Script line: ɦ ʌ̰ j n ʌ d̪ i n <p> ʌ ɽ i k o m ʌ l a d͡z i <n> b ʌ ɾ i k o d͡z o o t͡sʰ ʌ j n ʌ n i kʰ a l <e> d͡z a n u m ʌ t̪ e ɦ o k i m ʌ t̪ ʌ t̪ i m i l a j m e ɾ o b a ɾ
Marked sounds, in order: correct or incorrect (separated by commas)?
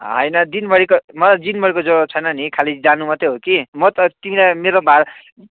incorrect, correct, incorrect